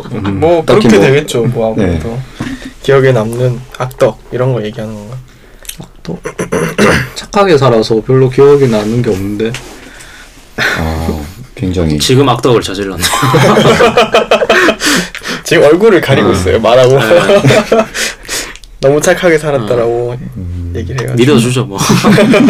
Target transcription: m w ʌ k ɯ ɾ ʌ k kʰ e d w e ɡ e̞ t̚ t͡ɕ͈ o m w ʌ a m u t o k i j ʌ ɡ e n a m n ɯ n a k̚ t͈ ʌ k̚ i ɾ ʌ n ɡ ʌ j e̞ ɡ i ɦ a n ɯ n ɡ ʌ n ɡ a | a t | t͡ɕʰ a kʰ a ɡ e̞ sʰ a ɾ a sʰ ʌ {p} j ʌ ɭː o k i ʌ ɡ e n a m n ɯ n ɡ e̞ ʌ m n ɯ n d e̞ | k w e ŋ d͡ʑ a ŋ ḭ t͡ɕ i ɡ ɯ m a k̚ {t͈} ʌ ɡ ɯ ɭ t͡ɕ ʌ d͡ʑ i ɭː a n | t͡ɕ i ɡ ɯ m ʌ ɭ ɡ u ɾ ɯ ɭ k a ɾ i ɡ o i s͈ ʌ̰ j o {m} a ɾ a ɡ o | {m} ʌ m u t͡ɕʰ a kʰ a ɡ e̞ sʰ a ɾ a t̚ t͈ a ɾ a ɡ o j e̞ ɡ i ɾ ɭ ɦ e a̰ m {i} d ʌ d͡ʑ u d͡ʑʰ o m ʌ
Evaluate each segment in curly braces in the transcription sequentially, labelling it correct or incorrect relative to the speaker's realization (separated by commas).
correct, correct, correct, incorrect, correct